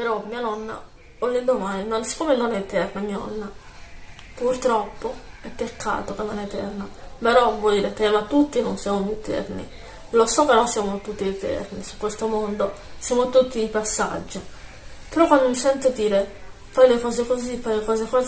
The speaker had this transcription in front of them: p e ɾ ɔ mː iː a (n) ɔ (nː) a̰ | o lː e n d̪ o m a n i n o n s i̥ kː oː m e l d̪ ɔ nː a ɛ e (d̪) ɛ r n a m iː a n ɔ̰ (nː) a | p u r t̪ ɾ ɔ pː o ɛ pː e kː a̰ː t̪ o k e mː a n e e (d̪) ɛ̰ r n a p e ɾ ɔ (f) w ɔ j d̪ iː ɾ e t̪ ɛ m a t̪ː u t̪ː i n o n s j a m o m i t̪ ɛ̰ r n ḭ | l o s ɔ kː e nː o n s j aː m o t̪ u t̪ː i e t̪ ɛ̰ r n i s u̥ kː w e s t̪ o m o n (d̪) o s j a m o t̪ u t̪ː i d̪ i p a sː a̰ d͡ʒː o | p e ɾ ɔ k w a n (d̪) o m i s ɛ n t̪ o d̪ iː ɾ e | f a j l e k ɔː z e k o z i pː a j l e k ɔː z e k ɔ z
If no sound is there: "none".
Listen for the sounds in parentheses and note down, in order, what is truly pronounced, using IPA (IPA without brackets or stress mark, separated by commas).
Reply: n, nː, t̪, nː, t̪, v, d̪, d̪